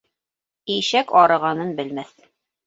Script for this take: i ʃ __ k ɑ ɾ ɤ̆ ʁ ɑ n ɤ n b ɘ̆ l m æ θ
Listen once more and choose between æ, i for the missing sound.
æ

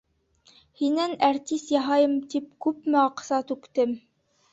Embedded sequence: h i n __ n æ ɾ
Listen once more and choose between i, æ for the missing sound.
æ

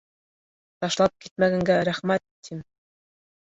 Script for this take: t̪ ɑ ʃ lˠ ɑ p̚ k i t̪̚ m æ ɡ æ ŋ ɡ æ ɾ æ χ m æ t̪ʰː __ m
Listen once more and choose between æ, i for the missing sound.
i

